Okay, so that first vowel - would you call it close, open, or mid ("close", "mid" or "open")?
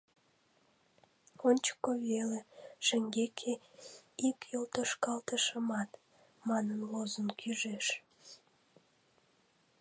mid